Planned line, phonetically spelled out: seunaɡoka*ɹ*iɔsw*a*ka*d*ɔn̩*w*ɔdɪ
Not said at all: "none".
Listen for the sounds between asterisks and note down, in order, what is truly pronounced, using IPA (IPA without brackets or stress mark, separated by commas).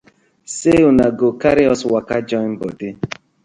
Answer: ɾ, a, d͡ʒ, b